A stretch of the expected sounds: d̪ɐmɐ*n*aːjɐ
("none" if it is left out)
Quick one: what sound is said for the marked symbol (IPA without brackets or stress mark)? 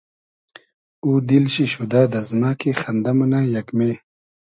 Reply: n